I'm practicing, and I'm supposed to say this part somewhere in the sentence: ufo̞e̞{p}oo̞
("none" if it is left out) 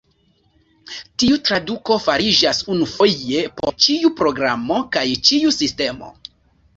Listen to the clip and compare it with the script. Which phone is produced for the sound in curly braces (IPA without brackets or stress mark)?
p